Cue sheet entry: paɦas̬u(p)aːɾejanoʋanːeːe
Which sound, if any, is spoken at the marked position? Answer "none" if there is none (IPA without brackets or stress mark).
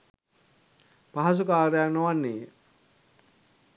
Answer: k